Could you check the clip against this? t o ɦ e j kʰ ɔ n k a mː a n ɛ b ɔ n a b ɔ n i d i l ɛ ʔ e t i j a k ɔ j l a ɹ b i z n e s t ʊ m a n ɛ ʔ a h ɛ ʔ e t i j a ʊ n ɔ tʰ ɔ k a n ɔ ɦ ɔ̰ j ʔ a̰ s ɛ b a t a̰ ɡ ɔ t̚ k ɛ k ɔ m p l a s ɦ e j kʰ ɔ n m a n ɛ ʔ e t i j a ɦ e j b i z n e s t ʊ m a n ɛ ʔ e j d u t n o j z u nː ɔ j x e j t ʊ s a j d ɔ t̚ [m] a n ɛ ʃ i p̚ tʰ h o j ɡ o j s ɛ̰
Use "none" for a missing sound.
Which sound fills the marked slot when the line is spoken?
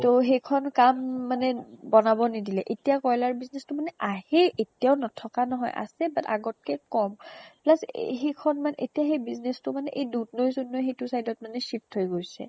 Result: m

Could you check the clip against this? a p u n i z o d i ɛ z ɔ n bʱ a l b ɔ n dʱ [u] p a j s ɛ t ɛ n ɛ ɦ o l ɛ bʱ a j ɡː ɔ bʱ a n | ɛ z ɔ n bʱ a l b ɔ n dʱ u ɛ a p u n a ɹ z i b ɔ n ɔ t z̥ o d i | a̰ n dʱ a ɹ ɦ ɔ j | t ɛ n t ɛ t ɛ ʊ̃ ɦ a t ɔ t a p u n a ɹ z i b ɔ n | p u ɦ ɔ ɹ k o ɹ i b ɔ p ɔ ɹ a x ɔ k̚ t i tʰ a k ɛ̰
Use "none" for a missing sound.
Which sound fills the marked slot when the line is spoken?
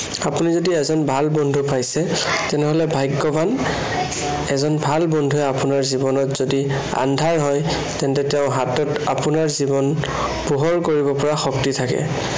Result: u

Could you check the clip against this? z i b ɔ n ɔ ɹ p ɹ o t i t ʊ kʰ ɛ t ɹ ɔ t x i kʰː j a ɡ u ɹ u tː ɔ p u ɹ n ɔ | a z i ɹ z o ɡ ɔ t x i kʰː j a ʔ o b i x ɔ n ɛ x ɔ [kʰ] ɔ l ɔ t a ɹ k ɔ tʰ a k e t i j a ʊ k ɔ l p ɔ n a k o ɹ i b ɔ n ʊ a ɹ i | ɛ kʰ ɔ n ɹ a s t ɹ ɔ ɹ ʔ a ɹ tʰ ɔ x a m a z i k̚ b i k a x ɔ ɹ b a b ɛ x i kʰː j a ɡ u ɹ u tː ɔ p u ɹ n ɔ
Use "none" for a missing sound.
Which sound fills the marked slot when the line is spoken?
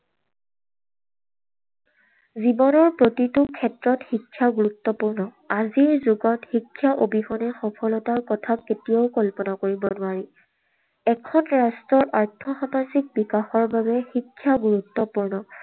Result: pʰ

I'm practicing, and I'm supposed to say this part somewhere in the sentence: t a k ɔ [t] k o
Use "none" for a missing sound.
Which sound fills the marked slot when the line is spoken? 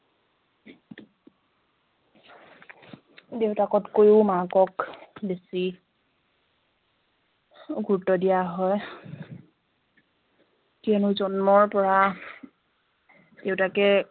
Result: t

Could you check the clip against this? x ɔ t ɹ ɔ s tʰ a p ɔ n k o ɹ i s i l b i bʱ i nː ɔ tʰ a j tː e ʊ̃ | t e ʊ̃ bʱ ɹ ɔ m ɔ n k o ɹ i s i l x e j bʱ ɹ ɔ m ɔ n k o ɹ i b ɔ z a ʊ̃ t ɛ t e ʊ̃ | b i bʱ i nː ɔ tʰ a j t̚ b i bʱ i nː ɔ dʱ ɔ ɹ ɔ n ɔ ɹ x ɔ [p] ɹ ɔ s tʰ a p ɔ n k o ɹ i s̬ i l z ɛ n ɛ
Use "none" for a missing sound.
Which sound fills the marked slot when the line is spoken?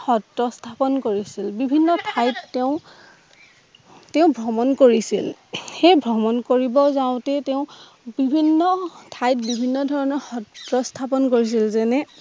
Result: t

